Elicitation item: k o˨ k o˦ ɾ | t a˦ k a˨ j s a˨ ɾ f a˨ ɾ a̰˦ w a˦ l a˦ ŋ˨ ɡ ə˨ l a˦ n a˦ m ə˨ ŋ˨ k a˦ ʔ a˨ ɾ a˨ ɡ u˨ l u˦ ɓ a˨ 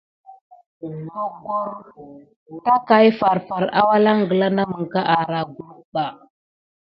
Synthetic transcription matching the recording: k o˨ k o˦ ɾ | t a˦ k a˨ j f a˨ ɾ f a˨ ɾ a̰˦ w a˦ l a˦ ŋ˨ ɡ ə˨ l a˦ n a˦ m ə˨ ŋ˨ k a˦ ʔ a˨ ɾ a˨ ɡ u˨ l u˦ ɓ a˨